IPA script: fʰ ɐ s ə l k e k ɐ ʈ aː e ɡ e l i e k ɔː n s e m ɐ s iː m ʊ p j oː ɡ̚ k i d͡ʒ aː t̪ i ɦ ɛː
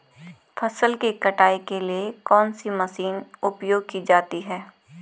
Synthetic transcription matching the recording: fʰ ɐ s ə l k e k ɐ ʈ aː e k e l i e k ɔː n s i m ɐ s iː n ʊ p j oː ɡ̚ k i d͡ʒ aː t̪ i ɦ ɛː